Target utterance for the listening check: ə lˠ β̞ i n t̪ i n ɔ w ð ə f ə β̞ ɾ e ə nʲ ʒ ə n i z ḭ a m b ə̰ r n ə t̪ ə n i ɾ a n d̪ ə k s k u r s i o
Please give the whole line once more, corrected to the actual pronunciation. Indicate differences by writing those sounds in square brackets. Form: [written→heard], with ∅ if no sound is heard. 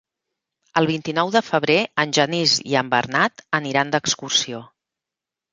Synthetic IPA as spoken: ə lˠ β̞ i n t̪ i n ɔ w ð ə f ə β̞ ɾ e ə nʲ ʒ ə n i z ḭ [a→ə] m b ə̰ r n [ə→a] t̪ ə n i ɾ a n d̪ ə k s k u r s i o